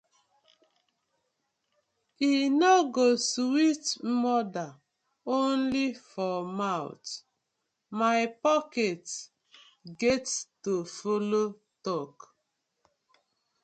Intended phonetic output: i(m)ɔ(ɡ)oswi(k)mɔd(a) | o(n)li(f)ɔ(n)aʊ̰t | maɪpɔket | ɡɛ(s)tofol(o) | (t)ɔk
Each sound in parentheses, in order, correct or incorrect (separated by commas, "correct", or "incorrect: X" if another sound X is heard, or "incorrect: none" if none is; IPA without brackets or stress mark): incorrect: n, correct, incorrect: t, correct, correct, correct, incorrect: m, incorrect: t, correct, correct